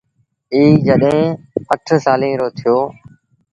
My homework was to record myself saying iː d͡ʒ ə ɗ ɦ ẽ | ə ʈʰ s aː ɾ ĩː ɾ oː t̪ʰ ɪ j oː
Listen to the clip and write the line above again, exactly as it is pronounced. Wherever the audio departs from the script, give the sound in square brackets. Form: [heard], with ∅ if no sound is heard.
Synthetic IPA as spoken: iː d͡ʒ ə ɗ ɦ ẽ | ə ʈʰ s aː [l] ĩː ɾ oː t̪ʰ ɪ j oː